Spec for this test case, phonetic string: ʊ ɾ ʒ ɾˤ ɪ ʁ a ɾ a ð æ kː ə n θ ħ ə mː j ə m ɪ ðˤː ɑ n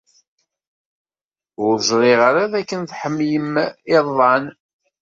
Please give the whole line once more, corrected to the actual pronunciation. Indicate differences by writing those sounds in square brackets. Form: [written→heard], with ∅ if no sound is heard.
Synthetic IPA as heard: ʊ ɾ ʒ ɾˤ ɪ ʁ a ɾ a ð æ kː ə n θ ħ ə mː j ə m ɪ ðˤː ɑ n